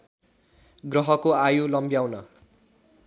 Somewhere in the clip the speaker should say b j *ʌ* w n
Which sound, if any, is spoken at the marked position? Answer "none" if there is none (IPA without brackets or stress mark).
a